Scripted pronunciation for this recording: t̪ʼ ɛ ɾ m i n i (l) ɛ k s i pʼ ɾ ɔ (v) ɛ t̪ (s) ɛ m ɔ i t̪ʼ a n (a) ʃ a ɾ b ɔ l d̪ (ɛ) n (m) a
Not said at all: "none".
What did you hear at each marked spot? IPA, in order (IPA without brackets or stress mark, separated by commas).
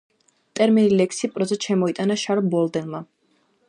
l, z, ʃ, a, ɛ, m